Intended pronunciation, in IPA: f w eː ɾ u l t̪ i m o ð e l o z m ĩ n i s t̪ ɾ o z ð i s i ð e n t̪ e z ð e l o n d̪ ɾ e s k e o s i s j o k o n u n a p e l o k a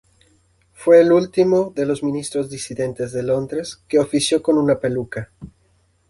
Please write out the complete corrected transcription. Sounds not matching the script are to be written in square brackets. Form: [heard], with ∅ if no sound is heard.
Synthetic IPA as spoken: f w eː [l] u l t̪ i m o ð e l o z m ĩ n i s t̪ ɾ o z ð i s i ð e n t̪ e z ð e l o n d̪ ɾ e s k e o [f] i s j o k o n u n a p e l [u] k a

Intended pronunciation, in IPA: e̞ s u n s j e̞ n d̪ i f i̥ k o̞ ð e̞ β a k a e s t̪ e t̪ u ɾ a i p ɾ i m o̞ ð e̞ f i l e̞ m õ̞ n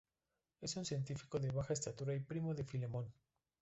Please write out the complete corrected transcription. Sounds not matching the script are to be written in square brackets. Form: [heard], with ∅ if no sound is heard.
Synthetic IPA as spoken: e̞ s u n s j e̞ n [t̪] i f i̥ k o̞ ð e̞ β a [x] a e s t̪ [a] t̪ u ɾ a i p ɾ i m o̞ ð e̞ f i l e̞ m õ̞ n

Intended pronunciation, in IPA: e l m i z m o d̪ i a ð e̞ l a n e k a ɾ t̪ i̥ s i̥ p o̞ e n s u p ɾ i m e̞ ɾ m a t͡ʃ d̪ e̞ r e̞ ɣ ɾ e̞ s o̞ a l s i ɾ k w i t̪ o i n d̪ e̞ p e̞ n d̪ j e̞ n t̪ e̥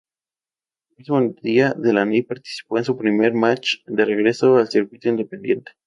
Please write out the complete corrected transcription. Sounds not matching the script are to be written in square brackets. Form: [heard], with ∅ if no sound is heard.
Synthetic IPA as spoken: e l m i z m o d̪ i a ð e̞ l a n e [p] a ɾ t̪ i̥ s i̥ p o̞ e n s u p ɾ i m e̞ ɾ m a t͡ʃ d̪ e̞ r e̞ ɣ ɾ e̞ s o̞ a l s i ɾ k w i t̪ o i n d̪ e̞ p e̞ n d̪ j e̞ n t̪ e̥

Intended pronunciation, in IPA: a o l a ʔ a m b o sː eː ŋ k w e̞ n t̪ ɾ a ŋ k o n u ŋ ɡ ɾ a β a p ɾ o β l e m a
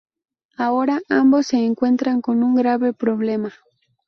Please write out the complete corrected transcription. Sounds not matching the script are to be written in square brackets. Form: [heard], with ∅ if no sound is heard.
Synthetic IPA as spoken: a o [ɾ] a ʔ a m b o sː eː ŋ k w e̞ n t̪ ɾ a ŋ k o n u ŋ ɡ ɾ a β [e] p ɾ o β l e m a

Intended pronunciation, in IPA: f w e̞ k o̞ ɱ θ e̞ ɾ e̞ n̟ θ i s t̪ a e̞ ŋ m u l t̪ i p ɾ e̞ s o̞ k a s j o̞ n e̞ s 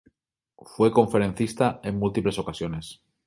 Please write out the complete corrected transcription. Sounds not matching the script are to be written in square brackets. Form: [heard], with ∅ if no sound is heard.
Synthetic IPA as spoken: f w e̞ k o̞ ɱ [f] e̞ ɾ e̞ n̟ θ i s t̪ a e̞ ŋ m u l t̪ i p [l] e̞ s o̞ k a s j o̞ n e̞ s

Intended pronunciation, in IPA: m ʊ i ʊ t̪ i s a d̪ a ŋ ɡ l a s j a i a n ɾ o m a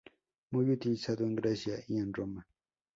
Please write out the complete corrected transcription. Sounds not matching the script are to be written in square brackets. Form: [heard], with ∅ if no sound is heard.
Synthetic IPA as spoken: m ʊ [j] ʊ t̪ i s a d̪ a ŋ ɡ [ɾ] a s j a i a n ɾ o m a

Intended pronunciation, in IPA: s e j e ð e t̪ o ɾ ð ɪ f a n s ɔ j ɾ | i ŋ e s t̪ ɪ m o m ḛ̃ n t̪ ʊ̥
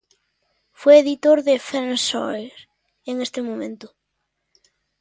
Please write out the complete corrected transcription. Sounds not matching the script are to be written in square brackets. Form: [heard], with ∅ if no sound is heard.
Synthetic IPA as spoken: [f] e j e ð [i] t̪ o ɾ ð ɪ f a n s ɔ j ɾ | [e] ŋ e s t̪ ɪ m o m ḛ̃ n t̪ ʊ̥

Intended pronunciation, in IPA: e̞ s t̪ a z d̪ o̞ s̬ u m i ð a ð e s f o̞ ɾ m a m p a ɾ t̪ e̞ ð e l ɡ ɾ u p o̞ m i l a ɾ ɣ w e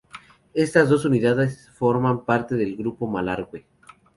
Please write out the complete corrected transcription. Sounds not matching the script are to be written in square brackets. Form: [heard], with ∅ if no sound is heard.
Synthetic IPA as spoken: e̞ s t̪ a z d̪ o̞ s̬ u [n] i ð a ð e s f o̞ ɾ m a m p a ɾ t̪ e̞ ð e l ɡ ɾ u p o̞ m [a] l a ɾ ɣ w e

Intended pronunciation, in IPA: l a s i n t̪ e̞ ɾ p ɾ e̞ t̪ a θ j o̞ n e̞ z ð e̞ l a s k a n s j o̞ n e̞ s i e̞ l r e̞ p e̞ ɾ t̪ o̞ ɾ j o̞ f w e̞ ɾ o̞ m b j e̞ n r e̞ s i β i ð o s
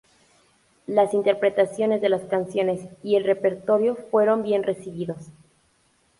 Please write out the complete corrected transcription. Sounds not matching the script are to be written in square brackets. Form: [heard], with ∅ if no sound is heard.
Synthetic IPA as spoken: l a s i n t̪ e̞ ɾ p ɾ e̞ t̪ a [s] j o̞ n e̞ z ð e̞ l a s k a n s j o̞ n e̞ s i e̞ l r e̞ p e̞ ɾ t̪ o̞ ɾ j o̞ f w e̞ ɾ o̞ m b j e̞ n r e̞ s i β i ð o s

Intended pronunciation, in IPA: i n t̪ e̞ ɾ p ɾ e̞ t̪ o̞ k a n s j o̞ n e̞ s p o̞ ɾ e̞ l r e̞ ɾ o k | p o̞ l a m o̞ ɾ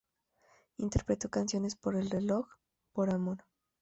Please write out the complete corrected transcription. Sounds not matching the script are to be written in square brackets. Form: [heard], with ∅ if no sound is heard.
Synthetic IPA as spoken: i n t̪ e̞ ɾ p ɾ e̞ t̪ o̞ k a n s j o̞ n e̞ s p o̞ ɾ e̞ l r e̞ [l] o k | p o̞ [ɾ] a m o̞ ɾ

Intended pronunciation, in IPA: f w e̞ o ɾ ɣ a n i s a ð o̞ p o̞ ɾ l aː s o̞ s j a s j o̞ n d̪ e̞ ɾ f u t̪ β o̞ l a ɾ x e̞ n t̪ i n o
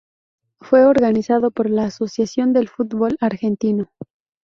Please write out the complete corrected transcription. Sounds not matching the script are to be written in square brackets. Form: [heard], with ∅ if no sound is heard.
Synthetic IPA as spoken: f w e̞ o ɾ ɣ a n i s a ð o̞ p o̞ ɾ l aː s o̞ s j a s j o̞ n d̪ e̞ [l] f u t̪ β o̞ l a ɾ x e̞ n t̪ i n o

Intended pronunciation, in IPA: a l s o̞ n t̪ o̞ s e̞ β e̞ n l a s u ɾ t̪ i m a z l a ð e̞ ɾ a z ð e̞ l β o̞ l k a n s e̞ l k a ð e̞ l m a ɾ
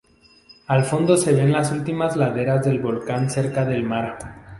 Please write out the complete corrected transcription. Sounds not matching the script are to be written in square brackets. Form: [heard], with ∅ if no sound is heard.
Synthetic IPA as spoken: a l [f] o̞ n [d̪] o̞ s e̞ β e̞ n l a s u [l] t̪ i m a z l a ð e̞ ɾ a z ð e̞ l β o̞ l k a n s e̞ [ɾ] k a ð e̞ l m a ɾ

